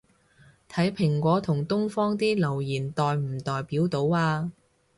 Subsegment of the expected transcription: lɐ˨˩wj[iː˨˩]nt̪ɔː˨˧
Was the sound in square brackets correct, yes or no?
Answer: yes